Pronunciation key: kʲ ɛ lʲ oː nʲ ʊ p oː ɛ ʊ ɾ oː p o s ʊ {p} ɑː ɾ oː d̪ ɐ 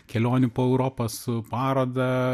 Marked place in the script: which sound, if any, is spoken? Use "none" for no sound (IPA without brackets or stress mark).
p